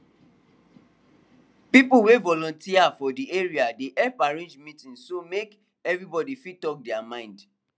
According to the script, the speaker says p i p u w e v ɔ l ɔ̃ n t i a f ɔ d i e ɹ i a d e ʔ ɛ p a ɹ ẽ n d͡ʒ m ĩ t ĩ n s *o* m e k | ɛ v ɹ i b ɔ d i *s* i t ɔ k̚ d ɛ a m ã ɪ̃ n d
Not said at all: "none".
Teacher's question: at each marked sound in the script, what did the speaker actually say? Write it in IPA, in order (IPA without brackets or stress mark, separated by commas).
o, f